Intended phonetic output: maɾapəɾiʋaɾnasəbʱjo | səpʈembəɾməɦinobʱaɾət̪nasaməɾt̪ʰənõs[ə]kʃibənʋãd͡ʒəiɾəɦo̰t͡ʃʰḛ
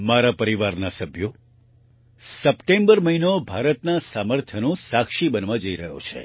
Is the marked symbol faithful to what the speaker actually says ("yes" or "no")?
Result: no